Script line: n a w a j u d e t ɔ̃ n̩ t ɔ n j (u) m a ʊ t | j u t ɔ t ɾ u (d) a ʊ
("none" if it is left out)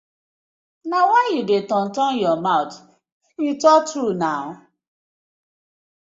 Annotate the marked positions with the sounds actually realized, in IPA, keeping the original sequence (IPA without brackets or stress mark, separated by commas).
ɔ, n